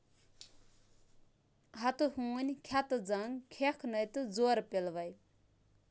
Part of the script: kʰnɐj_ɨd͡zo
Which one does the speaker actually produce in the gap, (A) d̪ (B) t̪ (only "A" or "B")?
B